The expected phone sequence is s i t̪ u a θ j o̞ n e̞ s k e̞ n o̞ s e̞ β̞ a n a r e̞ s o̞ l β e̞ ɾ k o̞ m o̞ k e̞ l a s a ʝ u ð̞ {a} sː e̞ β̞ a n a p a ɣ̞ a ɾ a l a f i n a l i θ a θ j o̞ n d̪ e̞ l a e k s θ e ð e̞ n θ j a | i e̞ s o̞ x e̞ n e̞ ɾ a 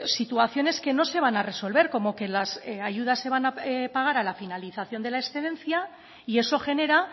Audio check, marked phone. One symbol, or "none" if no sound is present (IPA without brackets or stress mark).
a